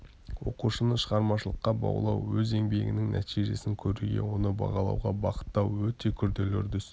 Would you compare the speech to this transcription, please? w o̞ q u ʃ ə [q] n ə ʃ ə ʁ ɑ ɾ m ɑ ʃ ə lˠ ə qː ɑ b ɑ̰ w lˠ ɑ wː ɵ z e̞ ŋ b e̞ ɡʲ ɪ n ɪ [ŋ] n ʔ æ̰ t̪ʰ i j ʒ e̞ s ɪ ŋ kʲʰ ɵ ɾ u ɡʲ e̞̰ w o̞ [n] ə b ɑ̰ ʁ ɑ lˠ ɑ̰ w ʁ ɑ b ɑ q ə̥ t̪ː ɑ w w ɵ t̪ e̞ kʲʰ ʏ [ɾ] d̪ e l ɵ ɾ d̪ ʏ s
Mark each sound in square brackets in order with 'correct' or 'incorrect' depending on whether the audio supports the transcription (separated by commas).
incorrect, correct, correct, correct